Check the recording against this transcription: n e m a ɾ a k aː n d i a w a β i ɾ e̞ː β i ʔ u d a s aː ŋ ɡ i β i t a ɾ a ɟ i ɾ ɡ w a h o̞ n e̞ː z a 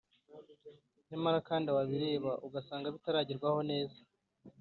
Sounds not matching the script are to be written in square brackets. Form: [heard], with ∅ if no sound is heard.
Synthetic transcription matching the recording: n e m a ɾ a k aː n d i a w a β i ɾ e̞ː β [a] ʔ u [ɡ] a s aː ŋ ɡ [a] β i t a ɾ a ɟ i ɾ ɡ w a h o̞ n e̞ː z a